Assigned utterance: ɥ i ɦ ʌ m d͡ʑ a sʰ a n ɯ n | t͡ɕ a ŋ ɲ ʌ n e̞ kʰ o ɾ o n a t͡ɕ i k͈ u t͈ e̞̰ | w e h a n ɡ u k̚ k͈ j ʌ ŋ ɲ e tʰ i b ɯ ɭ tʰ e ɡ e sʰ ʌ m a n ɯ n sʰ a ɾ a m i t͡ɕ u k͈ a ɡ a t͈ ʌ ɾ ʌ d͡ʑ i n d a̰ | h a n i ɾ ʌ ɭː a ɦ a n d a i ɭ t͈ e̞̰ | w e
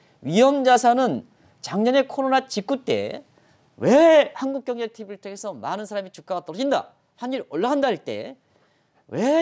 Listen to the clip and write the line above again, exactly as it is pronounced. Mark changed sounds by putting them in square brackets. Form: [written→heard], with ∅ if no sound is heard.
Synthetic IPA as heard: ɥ i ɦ ʌ m d͡ʑ a sʰ a n ɯ n | t͡ɕ a ŋ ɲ ʌ n e̞ kʰ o ɾ o n a t͡ɕ i k͈ u t͈ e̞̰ | w e h a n ɡ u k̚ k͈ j ʌ ŋ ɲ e tʰ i b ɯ ɭ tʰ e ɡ e sʰ ʌ m a n ɯ n sʰ a ɾ a m i t͡ɕ u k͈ a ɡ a t͈ ʌ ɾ ʌ d͡ʑ i n d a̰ | h a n i ɾ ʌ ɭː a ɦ a n d a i ɭ t͈ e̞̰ | w e

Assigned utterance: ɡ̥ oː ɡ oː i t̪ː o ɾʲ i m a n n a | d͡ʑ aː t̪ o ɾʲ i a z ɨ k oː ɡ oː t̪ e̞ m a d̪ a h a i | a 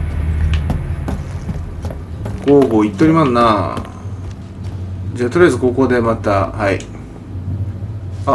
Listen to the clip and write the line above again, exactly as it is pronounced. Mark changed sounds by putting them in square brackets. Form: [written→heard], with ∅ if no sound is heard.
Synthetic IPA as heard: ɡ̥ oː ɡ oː i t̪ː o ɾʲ i m a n n a | d͡ʑ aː t̪ o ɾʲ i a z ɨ k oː [ɡ→k] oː [t̪→d̪] e̞ m a [d̪→t̪] a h a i | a

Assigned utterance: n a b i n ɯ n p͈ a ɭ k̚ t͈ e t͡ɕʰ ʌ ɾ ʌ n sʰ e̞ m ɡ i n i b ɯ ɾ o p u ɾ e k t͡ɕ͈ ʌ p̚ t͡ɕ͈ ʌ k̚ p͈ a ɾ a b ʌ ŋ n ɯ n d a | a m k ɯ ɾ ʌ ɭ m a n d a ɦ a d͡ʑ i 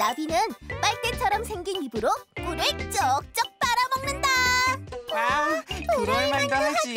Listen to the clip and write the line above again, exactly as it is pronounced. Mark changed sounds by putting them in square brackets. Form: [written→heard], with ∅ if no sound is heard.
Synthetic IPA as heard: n a b i n ɯ n p͈ a ɭ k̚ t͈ e t͡ɕʰ ʌ ɾ ʌ [n→m] sʰ e̞ [m→ŋ] ɡ i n i b ɯ ɾ o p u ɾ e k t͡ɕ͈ ʌ [p̚→k̚] t͡ɕ͈ ʌ k̚ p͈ a ɾ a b ʌ ŋ n ɯ n d a | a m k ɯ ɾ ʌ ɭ m a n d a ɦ a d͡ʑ i

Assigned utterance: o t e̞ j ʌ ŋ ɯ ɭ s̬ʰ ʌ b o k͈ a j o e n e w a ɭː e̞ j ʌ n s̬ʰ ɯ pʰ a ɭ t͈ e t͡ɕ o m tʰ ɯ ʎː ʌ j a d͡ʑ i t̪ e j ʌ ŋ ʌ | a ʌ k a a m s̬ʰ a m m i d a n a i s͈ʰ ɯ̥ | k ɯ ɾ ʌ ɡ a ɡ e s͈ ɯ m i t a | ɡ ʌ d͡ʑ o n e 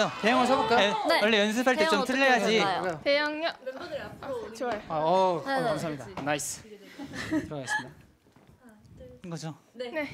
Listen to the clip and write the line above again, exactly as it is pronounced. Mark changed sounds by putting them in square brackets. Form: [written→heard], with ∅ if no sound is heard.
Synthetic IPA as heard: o t e̞ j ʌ ŋ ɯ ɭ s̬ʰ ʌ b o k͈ a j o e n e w [a→ʌ] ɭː e̞ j ʌ n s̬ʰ ɯ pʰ a ɭ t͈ e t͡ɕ o m tʰ ɯ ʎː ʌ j a d͡ʑ i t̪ e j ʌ ŋ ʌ | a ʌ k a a m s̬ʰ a m [m→ɲ] i d a n a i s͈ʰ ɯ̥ | [k→t] ɯ ɾ ʌ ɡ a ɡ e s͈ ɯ m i [t→d] a | ɡ ʌ d͡ʑ o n e

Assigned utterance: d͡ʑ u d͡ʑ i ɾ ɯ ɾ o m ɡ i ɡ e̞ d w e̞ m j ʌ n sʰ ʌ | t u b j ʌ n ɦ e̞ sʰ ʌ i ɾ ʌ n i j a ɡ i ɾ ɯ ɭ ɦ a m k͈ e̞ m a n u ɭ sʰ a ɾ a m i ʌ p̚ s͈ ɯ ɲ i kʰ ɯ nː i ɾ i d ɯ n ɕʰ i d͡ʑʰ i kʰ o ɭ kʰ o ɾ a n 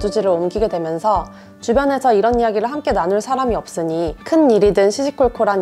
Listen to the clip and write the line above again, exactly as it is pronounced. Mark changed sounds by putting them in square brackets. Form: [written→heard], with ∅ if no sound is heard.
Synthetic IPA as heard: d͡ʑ u d͡ʑ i ɾ ɯ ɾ o m ɡ i ɡ e̞ d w e̞ m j ʌ n sʰ ʌ | [t→t͡ɕ] u b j ʌ n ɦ e̞ sʰ ʌ i ɾ ʌ n i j a ɡ i ɾ ɯ ɭ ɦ a m k͈ e̞ [m→n] a n u ɭ sʰ a ɾ a m i ʌ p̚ s͈ ɯ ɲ i kʰ ɯ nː i ɾ i d ɯ n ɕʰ i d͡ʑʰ i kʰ o ɭ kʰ o ɾ a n

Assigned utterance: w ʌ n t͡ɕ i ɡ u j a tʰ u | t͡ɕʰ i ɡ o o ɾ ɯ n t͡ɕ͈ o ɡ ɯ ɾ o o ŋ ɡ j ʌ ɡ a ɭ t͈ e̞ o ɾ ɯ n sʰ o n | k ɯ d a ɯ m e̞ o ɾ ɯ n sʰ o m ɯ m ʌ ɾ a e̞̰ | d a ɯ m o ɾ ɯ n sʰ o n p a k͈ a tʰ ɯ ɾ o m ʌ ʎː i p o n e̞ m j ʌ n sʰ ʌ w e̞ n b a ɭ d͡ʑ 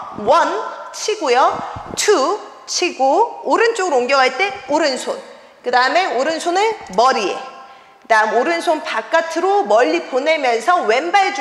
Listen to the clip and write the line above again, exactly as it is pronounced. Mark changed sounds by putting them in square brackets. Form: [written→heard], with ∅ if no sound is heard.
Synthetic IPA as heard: w ʌ n [t͡ɕ→t͡ɕʰ] i ɡ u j [a→ʌ] tʰ u | t͡ɕʰ i ɡ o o ɾ ɯ n t͡ɕ͈ o ɡ ɯ ɾ o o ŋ ɡ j ʌ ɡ a ɭ t͈ e̞ o ɾ ɯ n sʰ o n | k ɯ d a ɯ m e̞ o ɾ ɯ n sʰ o [m→n] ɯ m ʌ ɾ [a→i] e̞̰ | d a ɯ m o ɾ ɯ n sʰ o n p a k͈ a tʰ ɯ ɾ o m ʌ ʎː i p o n e̞ m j ʌ n sʰ ʌ w e̞ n b a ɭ d͡ʑ

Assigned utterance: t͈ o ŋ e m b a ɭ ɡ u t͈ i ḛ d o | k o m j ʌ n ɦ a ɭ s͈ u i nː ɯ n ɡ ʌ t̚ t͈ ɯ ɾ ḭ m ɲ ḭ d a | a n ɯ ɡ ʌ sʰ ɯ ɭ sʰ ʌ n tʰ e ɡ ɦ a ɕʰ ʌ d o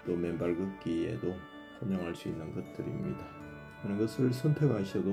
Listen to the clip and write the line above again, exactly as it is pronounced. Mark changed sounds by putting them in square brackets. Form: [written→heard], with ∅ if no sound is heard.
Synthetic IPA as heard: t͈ o [ŋ→m] e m b a ɭ ɡ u [t͈→k͈] i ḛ d o | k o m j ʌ [n→ŋ] ɦ a ɭ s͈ u i nː ɯ n ɡ ʌ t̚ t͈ ɯ ɾ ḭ m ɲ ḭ d a | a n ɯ ɡ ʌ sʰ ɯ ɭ sʰ ʌ n tʰ e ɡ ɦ a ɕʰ ʌ d o

